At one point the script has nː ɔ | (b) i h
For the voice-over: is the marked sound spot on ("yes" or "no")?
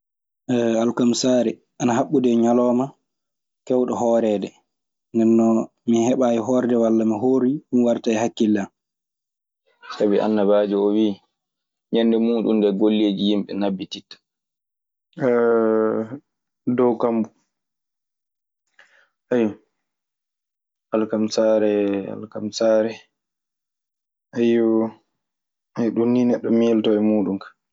no